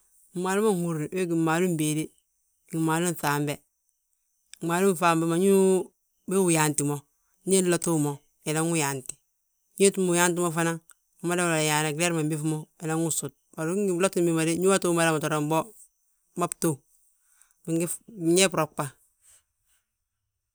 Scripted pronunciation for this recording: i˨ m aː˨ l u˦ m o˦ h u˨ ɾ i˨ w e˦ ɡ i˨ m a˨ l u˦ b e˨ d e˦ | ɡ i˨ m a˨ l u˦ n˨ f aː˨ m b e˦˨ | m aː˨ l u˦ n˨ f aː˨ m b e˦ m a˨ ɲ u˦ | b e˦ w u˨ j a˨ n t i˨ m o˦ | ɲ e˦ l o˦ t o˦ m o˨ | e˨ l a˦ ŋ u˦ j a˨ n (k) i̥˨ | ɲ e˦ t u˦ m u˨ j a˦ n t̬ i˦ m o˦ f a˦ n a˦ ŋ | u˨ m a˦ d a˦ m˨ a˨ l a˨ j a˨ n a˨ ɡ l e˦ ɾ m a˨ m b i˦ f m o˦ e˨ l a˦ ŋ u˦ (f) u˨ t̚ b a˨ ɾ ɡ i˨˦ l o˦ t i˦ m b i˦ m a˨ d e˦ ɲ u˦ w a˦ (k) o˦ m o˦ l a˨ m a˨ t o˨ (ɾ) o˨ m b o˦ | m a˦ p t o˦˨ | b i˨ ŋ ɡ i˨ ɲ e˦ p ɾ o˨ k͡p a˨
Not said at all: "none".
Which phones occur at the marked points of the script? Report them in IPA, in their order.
t, s, t, ɾ

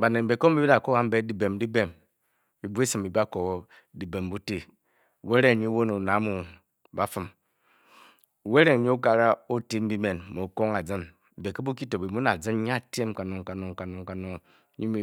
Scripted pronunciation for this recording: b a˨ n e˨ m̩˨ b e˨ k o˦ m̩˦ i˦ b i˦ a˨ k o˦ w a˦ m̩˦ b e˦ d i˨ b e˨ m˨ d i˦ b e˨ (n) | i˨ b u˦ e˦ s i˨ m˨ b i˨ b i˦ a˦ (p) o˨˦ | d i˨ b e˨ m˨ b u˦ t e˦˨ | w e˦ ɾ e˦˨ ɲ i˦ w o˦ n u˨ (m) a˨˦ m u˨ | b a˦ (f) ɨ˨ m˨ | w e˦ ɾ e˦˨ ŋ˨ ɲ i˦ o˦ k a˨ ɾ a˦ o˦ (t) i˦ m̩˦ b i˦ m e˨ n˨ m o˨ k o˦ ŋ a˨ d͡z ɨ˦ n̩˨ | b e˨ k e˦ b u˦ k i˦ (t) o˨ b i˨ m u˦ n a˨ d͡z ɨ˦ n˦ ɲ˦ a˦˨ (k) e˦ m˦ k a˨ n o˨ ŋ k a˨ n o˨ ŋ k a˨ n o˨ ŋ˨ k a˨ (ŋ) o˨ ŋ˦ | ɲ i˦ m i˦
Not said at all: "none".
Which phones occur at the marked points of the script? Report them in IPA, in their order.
m, k, n, f, t, t, t, n

